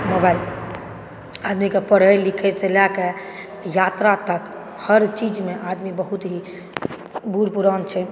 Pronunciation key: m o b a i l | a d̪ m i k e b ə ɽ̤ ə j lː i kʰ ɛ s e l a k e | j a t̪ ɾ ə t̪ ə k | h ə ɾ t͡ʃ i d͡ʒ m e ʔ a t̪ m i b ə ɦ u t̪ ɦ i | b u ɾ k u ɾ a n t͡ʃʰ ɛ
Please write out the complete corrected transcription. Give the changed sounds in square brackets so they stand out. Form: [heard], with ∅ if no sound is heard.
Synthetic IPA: m o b a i l | a d̪ m i k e [p] ə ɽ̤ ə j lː i kʰ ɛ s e l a k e | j a t̪ ɾ [a] t̪ ə k | h ə ɾ t͡ʃ i d͡ʒ m e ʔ a [d̪] m i b ə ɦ u t̪ ɦ i | b u ɾ [p] u ɾ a n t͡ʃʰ ɛ